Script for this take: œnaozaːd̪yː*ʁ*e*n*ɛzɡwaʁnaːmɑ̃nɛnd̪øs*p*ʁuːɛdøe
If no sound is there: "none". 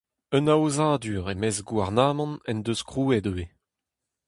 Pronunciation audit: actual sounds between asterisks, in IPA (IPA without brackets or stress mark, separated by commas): ʁ, m, k